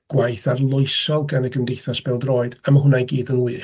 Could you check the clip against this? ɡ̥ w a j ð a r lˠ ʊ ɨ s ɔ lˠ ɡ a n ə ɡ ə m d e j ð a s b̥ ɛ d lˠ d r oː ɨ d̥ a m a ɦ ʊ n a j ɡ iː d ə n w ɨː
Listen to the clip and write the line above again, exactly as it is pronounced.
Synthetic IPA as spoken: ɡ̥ w a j θ a r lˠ ʊ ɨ s ɔ lˠ ɡ a n ə ɡ ə m d e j θ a s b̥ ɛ lˠ d r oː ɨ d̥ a m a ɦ ʊ n a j ɡ iː d ə n w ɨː